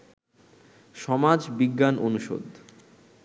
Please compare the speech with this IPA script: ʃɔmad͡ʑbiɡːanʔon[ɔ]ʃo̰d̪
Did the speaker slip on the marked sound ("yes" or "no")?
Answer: yes